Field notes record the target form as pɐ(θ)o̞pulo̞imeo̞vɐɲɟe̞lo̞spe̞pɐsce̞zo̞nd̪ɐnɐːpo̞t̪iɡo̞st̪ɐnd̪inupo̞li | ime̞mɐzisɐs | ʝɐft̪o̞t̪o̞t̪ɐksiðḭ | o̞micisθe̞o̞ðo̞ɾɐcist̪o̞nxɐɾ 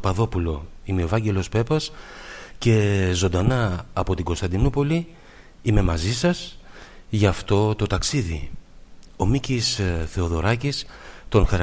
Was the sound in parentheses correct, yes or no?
no